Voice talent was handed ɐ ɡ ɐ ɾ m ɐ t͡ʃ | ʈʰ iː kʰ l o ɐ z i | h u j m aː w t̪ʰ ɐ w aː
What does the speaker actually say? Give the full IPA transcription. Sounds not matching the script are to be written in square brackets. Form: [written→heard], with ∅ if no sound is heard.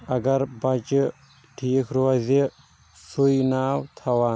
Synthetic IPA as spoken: ɐ ɡ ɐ ɾ [m→b] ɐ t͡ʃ | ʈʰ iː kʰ [l→ɾ] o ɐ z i | [h→s] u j [m→n] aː w t̪ʰ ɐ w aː